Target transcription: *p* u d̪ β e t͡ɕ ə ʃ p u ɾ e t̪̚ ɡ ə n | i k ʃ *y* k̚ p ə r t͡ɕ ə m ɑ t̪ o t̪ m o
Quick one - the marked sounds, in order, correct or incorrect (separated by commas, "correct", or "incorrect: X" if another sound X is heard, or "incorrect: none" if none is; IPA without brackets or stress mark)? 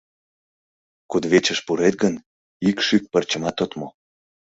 incorrect: k, correct